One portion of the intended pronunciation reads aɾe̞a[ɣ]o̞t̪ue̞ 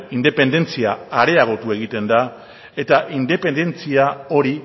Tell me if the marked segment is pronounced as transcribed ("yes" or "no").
yes